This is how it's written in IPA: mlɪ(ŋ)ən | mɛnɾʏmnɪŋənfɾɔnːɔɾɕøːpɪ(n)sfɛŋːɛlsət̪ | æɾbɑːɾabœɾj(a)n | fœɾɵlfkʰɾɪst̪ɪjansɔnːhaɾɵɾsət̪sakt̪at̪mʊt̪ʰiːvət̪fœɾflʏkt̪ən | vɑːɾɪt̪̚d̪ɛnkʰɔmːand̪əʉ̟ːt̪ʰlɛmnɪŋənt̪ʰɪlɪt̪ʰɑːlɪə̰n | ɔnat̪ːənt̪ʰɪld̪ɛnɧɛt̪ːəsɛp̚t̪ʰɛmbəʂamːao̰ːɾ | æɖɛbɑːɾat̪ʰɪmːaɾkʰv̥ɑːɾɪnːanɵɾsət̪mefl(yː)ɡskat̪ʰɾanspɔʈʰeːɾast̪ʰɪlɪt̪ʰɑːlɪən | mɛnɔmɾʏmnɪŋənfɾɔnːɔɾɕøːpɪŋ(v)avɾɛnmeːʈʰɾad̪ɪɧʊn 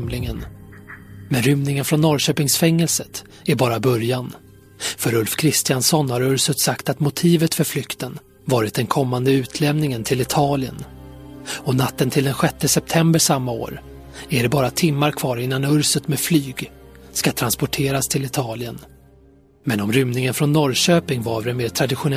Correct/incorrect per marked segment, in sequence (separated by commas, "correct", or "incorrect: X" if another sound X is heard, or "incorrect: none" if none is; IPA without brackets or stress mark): correct, incorrect: ŋ, correct, correct, correct